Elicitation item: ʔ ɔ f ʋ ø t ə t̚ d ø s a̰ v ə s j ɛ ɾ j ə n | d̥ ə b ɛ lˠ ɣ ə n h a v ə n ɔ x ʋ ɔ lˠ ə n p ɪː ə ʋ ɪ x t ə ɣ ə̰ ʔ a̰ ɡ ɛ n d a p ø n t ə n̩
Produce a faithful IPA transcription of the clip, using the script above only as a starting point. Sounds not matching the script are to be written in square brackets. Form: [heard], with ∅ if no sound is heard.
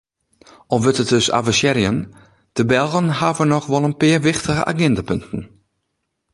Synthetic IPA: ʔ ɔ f ʋ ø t ə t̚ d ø s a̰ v ə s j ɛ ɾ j ə n | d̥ ə b ɛ lˠ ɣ ə n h a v ə n ɔ x ʋ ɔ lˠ ə n p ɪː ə ʋ ɪ x t ə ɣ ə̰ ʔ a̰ ɡ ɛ n d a p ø n t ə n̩